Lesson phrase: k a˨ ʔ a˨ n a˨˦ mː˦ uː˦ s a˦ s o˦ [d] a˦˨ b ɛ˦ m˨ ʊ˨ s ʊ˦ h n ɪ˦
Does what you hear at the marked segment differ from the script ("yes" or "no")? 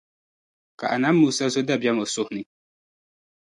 no